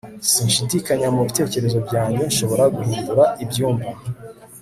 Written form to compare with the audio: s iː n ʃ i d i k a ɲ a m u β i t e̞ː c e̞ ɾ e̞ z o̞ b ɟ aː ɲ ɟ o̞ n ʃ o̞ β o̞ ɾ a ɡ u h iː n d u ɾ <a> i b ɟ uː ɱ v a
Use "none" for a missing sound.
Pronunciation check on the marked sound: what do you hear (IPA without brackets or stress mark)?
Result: a